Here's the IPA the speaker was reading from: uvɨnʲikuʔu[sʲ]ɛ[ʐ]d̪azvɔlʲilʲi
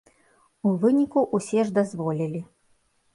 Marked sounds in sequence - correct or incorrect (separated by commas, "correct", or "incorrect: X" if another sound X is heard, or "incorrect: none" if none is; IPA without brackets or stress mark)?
correct, correct